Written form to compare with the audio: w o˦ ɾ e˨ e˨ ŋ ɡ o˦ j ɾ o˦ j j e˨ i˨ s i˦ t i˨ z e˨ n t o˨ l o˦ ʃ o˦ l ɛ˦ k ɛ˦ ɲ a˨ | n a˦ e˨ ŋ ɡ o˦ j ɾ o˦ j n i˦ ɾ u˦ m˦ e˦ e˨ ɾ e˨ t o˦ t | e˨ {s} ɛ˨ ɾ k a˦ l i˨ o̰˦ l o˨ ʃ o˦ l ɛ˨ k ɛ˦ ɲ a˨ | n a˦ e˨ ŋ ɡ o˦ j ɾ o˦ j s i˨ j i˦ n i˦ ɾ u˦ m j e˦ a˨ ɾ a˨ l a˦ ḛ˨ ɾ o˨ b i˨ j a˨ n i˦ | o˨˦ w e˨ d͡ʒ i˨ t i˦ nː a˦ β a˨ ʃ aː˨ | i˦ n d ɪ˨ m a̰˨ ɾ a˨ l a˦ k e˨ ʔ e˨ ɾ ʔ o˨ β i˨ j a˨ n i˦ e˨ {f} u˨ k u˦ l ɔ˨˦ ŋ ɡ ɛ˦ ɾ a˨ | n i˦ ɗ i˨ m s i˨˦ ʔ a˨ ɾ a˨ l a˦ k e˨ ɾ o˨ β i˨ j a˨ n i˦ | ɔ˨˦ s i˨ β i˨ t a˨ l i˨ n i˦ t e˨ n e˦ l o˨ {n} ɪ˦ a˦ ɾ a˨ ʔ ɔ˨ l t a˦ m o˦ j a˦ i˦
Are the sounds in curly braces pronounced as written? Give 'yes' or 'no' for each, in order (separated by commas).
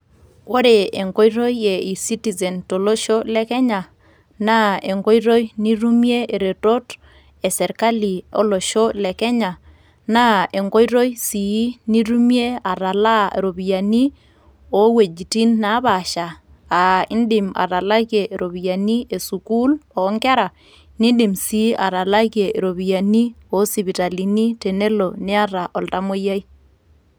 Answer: yes, no, yes